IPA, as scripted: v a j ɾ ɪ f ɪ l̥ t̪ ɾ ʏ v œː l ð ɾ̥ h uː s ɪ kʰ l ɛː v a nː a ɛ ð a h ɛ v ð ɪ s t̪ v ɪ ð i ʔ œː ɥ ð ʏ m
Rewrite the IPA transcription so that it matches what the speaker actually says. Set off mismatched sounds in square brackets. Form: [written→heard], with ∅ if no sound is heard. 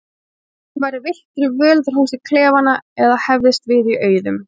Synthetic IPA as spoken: v a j ɾ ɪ [f→v] ɪ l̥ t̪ ɾ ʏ v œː l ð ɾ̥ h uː s ɪ kʰ l ɛː v a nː a ɛ ð a h ɛ v ð ɪ s t̪ v ɪ ð i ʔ œː ɥ ð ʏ m